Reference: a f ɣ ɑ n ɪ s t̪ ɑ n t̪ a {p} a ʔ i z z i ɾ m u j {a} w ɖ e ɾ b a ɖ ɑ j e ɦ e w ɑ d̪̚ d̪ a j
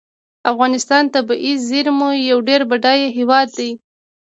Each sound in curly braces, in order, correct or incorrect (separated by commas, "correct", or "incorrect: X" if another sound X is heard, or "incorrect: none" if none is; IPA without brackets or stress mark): incorrect: b, correct